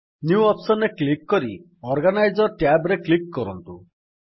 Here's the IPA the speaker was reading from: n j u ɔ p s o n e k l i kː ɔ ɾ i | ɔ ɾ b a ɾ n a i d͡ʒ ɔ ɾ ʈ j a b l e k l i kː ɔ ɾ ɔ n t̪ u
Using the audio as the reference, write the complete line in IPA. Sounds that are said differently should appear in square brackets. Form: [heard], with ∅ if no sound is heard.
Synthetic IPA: n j u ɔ p s [ɔ] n e k l i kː ɔ ɾ i | ɔ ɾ [ɡ] a [∅] n a [j] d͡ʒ ɔ ɾ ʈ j a b [ɾ] e k l i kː ɔ ɾ ɔ n t̪ u